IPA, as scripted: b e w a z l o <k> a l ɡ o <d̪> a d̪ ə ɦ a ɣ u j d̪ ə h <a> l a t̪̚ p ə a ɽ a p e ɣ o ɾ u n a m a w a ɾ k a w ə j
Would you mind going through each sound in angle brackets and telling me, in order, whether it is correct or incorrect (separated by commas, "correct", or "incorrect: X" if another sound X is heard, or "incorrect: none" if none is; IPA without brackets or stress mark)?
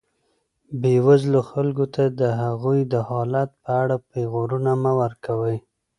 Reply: incorrect: x, incorrect: t̪, incorrect: ɑ